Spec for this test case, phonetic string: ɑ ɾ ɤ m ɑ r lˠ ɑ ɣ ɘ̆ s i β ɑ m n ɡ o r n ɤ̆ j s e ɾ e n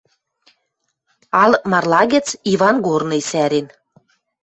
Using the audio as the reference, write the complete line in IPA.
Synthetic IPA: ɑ l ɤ m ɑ r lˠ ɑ ɣ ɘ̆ t͡s i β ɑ n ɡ o r n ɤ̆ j s æ ɾ e n